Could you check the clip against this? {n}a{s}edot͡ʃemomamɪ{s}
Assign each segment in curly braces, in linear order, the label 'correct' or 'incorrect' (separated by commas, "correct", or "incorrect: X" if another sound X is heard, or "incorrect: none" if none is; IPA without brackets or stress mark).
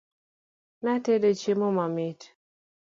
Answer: correct, incorrect: t, incorrect: t